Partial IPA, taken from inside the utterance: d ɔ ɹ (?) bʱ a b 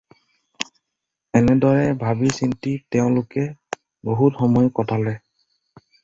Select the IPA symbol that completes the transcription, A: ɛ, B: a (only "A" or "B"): A